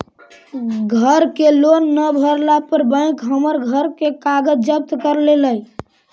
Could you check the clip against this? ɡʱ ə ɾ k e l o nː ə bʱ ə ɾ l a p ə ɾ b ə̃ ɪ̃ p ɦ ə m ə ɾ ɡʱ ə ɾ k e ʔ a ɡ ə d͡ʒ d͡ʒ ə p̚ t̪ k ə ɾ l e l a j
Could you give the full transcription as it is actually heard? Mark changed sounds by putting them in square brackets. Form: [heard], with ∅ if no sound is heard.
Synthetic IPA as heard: ɡʱ ə ɾ k e l o nː ə bʱ ə ɾ l a p ə ɾ b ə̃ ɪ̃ [k] ɦ ə m ə ɾ ɡʱ ə ɾ k e [k] a ɡ ə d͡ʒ d͡ʒ ə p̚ t̪ k ə ɾ l e l [ə] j